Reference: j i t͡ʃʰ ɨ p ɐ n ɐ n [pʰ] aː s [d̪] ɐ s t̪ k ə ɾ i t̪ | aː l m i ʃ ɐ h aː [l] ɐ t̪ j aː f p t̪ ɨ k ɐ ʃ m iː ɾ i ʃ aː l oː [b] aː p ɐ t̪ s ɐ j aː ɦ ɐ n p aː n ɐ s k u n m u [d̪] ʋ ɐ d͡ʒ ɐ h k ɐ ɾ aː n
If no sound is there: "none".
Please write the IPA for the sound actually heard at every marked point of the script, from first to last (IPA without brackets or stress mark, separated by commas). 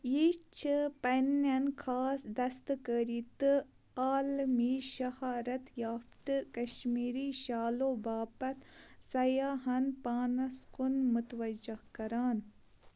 kʰ, d̪, ɾ, b, t̪